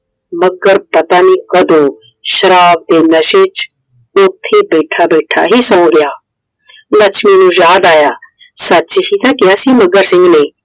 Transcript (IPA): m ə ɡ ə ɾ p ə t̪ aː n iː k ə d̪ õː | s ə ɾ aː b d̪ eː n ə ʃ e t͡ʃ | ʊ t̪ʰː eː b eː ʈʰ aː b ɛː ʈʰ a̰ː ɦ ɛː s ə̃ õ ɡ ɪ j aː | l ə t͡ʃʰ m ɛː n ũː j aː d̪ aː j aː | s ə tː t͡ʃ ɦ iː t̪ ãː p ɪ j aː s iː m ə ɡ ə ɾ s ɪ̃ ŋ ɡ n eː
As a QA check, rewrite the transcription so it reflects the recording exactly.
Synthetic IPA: m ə ɡ ə ɾ p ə t̪ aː n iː k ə d̪ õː | ʃ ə ɾ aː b d̪ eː n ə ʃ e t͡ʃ | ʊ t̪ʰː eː b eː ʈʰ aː b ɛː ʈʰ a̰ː ɦ iː s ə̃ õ ɡ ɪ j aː | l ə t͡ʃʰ m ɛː n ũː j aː d̪ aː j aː | s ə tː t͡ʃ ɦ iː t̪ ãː k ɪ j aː s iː m ə ɡ ə ɾ s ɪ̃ ŋ ɡ n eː